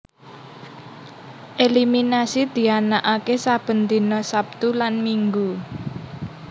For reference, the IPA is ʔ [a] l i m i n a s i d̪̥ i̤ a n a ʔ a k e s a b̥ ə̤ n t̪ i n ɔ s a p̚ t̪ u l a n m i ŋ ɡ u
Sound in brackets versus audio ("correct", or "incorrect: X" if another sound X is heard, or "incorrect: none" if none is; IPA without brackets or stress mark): incorrect: e